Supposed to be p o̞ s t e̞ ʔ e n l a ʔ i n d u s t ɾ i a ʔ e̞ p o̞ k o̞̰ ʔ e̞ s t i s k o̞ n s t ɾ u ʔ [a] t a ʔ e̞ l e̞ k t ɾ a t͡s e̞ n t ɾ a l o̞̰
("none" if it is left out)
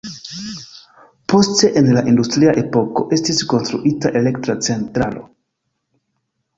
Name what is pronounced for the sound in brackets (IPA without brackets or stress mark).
i